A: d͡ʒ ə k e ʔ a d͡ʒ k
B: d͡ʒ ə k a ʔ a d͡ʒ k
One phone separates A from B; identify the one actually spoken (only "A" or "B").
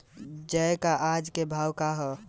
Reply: B